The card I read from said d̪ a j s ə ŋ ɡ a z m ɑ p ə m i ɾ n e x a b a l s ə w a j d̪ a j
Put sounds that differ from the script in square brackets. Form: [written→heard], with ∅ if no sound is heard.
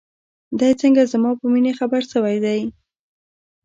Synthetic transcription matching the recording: d̪ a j [s→t͡s] ə ŋ ɡ a z m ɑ p ə m i [ɾ→∅] n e x a b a [l→ɾ] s ə w a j d̪ a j